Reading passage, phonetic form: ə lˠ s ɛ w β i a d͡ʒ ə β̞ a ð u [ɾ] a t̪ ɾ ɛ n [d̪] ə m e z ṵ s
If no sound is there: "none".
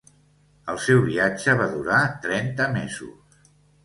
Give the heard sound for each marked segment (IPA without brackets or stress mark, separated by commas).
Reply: ɾ, t̪